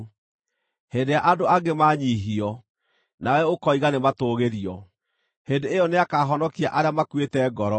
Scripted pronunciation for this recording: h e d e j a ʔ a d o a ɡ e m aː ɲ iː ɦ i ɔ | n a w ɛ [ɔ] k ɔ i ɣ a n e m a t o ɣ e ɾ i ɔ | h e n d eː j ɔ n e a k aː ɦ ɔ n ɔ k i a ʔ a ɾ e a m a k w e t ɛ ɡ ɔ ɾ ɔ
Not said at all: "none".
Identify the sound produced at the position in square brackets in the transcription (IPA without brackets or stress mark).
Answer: o